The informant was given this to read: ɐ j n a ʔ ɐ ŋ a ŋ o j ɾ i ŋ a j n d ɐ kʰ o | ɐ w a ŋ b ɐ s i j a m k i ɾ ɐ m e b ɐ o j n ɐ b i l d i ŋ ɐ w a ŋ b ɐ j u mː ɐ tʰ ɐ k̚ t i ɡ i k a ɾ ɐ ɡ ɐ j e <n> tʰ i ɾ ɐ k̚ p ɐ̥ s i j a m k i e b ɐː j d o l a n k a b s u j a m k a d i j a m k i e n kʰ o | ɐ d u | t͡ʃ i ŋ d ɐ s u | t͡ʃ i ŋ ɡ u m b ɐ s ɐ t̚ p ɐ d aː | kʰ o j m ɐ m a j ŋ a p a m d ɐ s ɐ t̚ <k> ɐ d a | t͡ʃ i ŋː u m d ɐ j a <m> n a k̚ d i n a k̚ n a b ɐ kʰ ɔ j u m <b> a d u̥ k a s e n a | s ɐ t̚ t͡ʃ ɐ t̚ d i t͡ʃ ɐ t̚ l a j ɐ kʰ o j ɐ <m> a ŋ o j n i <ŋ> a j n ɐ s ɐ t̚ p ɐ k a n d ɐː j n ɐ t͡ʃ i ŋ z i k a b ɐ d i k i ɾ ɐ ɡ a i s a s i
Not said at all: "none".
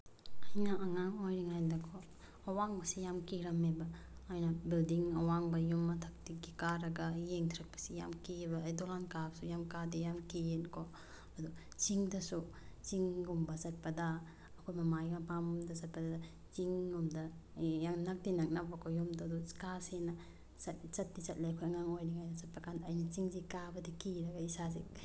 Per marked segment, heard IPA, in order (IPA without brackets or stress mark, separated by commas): ŋ, p, ŋ, d, ŋ, ŋ